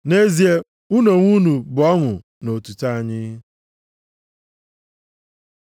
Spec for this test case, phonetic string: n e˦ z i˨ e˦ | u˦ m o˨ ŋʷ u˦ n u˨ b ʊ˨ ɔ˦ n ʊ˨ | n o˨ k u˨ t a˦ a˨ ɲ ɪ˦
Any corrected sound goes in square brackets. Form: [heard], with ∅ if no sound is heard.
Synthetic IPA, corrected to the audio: n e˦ z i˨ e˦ | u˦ [n] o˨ ŋʷ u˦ n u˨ b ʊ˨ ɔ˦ [ŋ] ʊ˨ | n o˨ [t] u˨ t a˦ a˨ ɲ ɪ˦